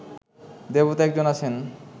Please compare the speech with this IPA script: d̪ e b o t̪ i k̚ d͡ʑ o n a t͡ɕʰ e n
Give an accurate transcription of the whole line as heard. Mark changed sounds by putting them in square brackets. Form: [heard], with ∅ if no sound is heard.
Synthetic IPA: d̪ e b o t̪ [ɛ] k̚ d͡ʑ o n a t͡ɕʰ e n